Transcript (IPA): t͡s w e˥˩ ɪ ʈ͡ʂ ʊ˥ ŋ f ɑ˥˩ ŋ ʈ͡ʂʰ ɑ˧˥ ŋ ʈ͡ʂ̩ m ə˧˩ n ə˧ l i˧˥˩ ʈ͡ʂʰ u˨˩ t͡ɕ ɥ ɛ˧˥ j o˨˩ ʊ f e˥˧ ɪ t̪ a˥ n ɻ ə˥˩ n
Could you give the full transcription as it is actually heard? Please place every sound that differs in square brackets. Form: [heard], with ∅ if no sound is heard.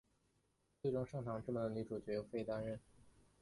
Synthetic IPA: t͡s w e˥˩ ɪ ʈ͡ʂ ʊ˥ ŋ [ʂ] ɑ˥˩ ŋ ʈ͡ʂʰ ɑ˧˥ ŋ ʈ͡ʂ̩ m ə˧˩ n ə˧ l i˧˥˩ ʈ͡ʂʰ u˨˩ t͡ɕ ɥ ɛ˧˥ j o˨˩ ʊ f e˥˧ ɪ t̪ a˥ n ɻ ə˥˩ n